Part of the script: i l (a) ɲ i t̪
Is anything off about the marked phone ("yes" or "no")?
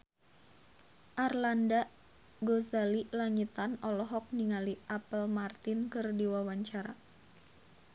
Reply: no